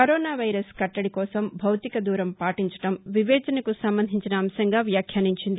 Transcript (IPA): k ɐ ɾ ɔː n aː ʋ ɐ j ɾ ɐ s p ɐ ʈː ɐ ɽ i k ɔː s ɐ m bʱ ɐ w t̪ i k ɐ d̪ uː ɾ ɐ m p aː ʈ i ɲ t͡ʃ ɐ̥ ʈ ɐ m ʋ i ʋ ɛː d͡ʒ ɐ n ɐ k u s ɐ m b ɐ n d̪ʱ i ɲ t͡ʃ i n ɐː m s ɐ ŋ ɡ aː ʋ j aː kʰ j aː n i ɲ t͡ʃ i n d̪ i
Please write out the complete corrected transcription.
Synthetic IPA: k ɐ ɾ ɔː n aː ʋ ɐ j ɾ ɐ s k ɐ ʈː ɐ ɽ i k ɔː s ɐ m bʱ ɐ w t̪ i k ɐ d̪ uː ɾ ɐ m p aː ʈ i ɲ t͡ʃ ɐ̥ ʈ ɐ m ʋ i ʋ ɛː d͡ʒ ɐ n ɐ k u s ɐ m b ɐ n d̪ʱ i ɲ t͡ʃ i n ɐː m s ɐ ŋ ɡ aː ʋ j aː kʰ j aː n i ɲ t͡ʃ i n d̪ i